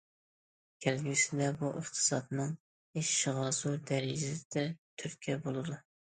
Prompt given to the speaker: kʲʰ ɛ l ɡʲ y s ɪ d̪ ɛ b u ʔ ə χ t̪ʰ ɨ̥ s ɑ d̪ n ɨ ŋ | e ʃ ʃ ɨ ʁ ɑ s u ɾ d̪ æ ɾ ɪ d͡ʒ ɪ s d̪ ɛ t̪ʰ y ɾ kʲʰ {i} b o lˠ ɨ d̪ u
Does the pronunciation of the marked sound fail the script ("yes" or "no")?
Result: yes